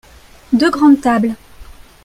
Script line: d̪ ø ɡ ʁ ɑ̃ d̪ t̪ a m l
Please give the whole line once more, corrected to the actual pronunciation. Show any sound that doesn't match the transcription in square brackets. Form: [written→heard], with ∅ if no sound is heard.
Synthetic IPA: d̪ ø ɡ ʁ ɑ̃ d̪ t̪ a [m→b] l